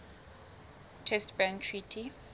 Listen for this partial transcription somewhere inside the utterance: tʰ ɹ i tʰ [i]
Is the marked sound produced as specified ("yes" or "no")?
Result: yes